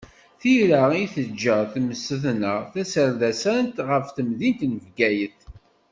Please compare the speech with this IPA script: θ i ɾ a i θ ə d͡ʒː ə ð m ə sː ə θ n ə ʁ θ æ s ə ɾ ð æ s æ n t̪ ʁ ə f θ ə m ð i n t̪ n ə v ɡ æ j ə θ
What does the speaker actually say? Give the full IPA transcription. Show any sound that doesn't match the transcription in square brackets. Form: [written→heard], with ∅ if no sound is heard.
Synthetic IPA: θ i ɾ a i θ ə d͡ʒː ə [ð→θ] m ə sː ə θ n ə ʁ θ æ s ə ɾ ð æ s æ n t̪ ʁ ə f θ ə m ð i n t̪ n ə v ɡ æ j ə θ